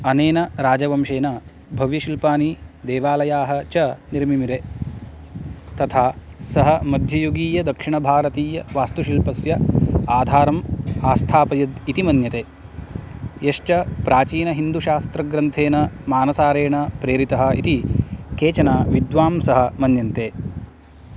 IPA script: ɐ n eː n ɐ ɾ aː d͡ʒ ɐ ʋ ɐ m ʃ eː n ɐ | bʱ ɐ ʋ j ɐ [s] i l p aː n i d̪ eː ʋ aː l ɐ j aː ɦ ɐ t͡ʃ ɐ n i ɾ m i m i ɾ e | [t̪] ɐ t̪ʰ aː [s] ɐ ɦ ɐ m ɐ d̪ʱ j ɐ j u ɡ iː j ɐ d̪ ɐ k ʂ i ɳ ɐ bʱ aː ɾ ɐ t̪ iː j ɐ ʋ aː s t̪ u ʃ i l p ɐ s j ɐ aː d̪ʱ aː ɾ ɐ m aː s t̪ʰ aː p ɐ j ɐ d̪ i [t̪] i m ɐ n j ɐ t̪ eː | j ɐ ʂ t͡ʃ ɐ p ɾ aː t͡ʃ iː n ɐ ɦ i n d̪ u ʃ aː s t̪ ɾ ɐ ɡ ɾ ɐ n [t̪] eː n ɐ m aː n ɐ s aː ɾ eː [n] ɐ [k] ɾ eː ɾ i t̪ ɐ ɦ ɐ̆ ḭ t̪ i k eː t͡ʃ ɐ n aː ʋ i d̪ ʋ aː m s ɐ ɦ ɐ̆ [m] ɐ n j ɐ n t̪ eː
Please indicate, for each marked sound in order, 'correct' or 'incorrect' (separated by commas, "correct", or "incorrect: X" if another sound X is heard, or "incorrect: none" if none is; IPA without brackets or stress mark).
incorrect: ʃ, correct, correct, correct, incorrect: t̪ʰ, incorrect: ɳ, incorrect: p, correct